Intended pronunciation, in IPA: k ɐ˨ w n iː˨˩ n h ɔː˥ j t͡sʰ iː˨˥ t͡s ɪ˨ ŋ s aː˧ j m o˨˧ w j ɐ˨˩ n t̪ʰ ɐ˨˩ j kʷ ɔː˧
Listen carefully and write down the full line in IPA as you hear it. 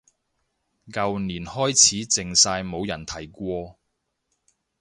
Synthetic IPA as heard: k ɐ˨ w n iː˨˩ n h ɔː˥ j t͡sʰ iː˨˥ t͡s ɪ˨ ŋ s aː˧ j m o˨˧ w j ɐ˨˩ n t̪ʰ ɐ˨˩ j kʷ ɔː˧